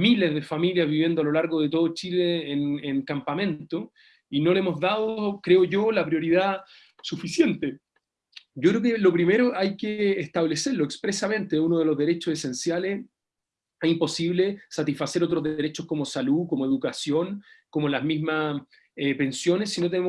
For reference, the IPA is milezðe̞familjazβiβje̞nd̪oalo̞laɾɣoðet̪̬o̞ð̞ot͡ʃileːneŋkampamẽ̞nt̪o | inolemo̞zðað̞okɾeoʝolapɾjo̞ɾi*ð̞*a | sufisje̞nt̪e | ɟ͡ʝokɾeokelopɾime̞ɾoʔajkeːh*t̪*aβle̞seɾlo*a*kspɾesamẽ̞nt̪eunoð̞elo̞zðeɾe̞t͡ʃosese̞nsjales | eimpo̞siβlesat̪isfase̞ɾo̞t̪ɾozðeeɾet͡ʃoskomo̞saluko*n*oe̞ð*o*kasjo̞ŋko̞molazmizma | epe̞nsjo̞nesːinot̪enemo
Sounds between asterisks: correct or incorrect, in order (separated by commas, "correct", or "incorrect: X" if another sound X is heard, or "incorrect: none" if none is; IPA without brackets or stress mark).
correct, correct, incorrect: e, incorrect: m, incorrect: u